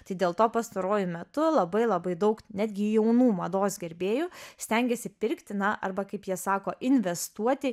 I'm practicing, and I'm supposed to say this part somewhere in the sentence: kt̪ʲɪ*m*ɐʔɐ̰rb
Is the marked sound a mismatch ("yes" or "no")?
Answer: yes